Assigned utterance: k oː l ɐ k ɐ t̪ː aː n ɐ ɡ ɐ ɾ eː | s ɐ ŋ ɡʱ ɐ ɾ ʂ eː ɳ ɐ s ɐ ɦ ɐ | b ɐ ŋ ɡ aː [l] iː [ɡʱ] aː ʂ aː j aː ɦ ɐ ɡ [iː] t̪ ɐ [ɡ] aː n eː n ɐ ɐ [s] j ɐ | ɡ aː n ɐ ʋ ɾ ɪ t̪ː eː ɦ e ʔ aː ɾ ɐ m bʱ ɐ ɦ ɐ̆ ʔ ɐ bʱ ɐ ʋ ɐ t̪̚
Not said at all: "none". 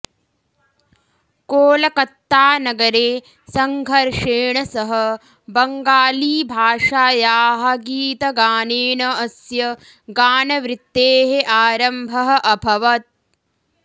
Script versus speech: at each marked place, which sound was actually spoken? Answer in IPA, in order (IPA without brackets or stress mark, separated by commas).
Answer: l, bʱ, iː, ɡ, s